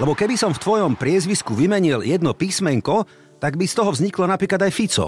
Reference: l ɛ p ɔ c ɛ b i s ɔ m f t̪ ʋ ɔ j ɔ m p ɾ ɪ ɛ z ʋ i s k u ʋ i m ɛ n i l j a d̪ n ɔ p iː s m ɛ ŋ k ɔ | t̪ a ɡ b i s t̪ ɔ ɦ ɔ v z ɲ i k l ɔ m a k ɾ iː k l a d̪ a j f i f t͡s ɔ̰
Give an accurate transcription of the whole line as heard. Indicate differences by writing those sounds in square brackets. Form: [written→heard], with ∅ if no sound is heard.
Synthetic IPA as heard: l ɛ [p→b] ɔ [c→k] ɛ b i s ɔ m f t̪ ʋ ɔ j ɔ m p ɾ ɪ ɛ z ʋ i s k u ʋ i m ɛ [n→ɲ] i l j [a→ɛ] d̪ n ɔ p iː s m ɛ ŋ k ɔ | t̪ a ɡ b i s t̪ ɔ ɦ ɔ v z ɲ i k l ɔ [m→n] a [k→p] ɾ iː k l a d̪ a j f i [f→∅] t͡s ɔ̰